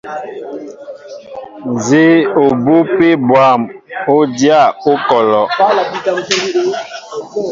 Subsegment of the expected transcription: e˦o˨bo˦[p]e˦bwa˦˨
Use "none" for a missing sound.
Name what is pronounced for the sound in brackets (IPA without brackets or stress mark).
p